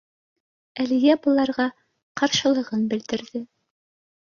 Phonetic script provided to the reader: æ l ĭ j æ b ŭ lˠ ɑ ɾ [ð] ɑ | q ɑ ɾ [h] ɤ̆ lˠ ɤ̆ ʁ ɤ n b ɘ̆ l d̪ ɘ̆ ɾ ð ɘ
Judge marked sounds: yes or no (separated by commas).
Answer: no, no